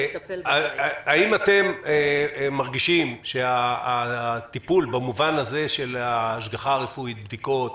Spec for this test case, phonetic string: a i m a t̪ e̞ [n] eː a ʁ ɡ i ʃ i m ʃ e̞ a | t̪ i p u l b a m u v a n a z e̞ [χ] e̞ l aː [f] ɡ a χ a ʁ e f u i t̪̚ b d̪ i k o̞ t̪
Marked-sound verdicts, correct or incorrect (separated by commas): incorrect, incorrect, incorrect